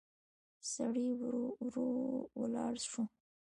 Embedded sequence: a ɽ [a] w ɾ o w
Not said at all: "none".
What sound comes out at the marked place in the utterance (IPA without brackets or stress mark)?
i